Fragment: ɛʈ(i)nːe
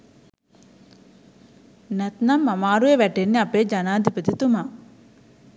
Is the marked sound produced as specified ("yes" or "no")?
no